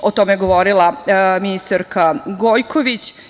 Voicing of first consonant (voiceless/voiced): voiceless